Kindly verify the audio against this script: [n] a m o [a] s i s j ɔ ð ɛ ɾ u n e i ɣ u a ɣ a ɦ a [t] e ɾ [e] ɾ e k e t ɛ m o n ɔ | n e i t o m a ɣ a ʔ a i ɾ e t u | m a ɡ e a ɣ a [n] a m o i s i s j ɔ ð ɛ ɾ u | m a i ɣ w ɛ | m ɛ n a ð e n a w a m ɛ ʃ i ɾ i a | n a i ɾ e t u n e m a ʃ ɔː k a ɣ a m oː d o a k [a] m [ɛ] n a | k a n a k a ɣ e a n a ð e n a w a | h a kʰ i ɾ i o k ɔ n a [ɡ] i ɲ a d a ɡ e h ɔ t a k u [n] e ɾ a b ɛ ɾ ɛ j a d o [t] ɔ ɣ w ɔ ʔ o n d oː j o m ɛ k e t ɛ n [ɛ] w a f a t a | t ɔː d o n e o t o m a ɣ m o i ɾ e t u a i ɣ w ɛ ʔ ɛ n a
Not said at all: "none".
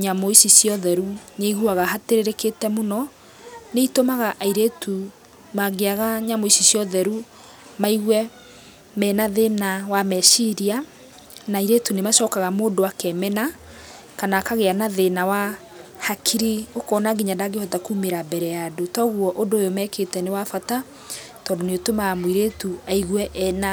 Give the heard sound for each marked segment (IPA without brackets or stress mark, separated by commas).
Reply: ɲ, i, t, e, ɲ, ɛ, ɛ, ɡ, m, t, e